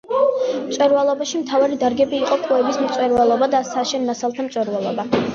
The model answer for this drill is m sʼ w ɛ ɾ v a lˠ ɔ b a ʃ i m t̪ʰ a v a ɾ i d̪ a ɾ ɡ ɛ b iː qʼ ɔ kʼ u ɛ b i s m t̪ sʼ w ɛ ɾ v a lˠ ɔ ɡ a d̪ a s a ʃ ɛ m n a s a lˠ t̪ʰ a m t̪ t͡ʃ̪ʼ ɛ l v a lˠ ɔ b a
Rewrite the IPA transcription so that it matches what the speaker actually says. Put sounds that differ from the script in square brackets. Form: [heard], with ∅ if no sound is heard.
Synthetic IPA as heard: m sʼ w ɛ ɾ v a lˠ ɔ b a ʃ i m t̪ʰ a v a ɾ i d̪ a ɾ ɡ ɛ b iː qʼ ɔ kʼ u ɛ b i s m t̪ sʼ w ɛ ɾ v a lˠ ɔ [b] a d̪ a s a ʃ ɛ [n] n a s a lˠ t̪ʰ a m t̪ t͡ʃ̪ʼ ɛ [ɾ] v a lˠ ɔ b a